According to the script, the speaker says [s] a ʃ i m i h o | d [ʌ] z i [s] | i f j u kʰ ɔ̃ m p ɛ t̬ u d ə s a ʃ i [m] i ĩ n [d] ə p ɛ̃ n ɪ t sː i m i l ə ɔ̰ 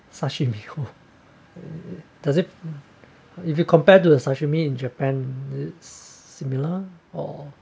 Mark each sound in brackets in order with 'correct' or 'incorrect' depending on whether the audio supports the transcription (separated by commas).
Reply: correct, incorrect, incorrect, correct, incorrect